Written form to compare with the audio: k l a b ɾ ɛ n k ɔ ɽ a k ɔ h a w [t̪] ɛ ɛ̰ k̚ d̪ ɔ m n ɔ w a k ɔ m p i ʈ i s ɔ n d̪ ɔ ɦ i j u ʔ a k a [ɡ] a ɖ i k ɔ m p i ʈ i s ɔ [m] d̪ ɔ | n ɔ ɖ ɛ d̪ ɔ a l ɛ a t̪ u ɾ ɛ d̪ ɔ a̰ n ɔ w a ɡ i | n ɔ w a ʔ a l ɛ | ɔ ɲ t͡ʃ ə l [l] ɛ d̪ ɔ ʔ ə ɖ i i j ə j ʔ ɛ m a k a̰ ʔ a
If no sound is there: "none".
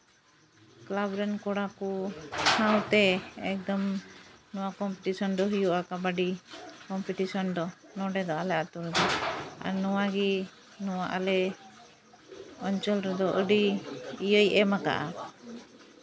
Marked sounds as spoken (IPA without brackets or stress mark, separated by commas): t̪, b, n, ɾ